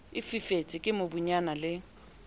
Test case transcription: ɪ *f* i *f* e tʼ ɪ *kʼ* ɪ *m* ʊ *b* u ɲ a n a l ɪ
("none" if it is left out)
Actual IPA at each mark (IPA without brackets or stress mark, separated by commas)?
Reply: f, f, kʼ, m, b